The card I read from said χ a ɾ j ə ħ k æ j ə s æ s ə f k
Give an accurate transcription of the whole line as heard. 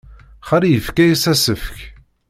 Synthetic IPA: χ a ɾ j ə f k æ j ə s æ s ə f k